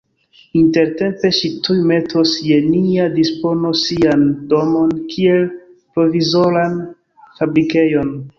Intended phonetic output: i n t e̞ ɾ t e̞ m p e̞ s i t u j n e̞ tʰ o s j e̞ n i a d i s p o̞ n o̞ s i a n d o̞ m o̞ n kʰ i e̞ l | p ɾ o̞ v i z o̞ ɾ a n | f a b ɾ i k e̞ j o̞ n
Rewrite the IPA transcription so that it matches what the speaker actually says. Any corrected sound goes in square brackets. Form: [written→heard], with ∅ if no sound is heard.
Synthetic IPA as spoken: i n t e̞ ɾ t e̞ m p e̞ [s→ʃ] i t u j [n→m] e̞ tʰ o s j e̞ n i a d i s p o̞ n o̞ s i a n d o̞ m o̞ n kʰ i e̞ l | p ɾ o̞ v i z o̞ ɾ a n | f a b ɾ i k e̞ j o̞ n